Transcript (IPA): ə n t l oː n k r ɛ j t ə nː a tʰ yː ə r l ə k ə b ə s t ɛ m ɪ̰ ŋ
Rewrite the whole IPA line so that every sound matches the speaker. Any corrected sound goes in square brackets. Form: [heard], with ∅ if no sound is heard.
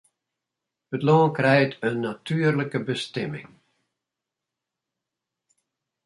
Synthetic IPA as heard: ə [∅] t l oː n k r ɛ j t ə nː a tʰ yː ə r l ə k ə b ə s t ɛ m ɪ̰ ŋ